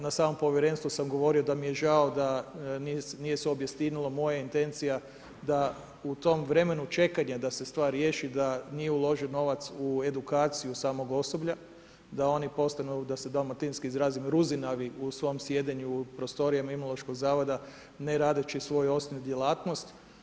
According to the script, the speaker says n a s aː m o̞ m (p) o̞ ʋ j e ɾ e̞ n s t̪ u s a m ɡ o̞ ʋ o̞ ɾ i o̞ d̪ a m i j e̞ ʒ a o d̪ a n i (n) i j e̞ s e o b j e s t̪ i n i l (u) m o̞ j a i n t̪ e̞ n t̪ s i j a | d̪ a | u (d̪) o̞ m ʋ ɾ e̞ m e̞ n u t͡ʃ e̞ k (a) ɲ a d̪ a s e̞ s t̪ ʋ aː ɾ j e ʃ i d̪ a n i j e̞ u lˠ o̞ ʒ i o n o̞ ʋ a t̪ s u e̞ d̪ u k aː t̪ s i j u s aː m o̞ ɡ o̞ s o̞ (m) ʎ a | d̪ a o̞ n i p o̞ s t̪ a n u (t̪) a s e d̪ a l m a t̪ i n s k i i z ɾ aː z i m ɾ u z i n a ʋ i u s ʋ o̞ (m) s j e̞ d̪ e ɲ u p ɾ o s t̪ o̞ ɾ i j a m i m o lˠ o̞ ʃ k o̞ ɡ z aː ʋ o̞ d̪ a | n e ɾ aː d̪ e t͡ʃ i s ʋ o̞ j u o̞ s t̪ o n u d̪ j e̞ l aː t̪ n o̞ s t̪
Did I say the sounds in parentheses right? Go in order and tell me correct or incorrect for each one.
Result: correct, correct, incorrect: o, incorrect: t̪, correct, incorrect: b, incorrect: d̪, correct

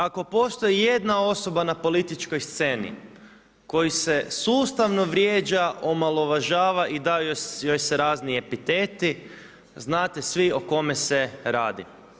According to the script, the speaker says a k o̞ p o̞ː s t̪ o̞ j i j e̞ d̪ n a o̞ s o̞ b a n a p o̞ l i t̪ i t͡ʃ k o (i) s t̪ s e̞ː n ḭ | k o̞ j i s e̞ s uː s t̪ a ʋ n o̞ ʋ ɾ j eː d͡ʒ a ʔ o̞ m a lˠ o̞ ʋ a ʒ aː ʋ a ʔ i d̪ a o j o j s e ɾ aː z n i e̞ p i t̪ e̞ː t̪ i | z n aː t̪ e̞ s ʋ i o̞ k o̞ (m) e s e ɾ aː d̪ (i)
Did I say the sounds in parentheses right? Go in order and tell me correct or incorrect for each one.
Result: incorrect: j, correct, correct

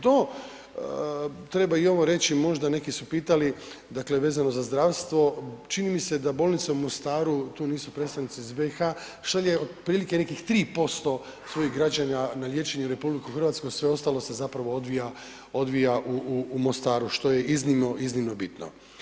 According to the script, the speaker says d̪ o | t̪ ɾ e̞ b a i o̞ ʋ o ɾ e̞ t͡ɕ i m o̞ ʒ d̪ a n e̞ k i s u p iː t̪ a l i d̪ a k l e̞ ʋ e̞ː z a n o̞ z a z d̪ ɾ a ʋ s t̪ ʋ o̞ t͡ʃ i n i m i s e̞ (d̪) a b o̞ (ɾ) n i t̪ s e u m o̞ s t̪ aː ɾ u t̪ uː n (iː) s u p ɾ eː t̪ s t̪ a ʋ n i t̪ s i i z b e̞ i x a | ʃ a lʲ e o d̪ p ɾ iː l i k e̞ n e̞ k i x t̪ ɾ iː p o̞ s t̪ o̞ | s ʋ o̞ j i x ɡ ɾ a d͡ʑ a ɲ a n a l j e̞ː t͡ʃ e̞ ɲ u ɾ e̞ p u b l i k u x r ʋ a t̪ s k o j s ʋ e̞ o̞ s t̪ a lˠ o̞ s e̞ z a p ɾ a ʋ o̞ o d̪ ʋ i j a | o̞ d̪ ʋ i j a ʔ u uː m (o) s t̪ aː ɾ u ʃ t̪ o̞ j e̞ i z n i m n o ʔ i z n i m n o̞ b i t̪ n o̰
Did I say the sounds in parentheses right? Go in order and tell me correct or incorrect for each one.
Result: correct, incorrect: l, correct, correct

